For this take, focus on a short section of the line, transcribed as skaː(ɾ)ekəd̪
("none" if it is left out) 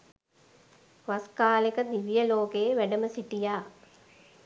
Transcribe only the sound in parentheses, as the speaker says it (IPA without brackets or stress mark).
l